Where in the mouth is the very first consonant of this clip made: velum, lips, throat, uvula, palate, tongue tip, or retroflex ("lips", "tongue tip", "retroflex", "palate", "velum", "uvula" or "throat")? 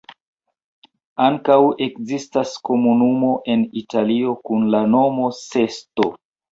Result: velum